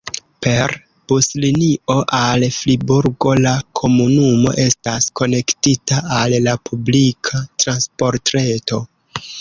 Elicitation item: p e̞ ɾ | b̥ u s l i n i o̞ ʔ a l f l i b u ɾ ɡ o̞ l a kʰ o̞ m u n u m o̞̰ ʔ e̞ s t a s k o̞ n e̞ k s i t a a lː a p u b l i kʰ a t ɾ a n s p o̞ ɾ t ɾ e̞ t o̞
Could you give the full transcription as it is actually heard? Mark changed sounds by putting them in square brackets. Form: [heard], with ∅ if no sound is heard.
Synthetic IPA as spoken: p e̞ ɾ | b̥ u s l i n i o̞ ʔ a l f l i b u ɾ ɡ o̞ l a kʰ o̞ m u n u m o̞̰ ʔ e̞ s t a s k o̞ n e̞ k [t] i t a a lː a p u b l i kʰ a t ɾ a n s p o̞ ɾ t ɾ e̞ t o̞